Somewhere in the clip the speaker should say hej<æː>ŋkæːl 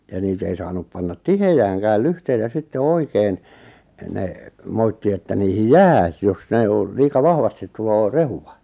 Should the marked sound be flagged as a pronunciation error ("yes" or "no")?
no